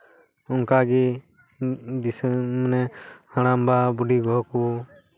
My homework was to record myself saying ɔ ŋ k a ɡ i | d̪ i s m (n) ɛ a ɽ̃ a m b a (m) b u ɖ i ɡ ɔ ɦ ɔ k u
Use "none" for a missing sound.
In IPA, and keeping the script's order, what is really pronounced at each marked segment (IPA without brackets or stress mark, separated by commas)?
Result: n, none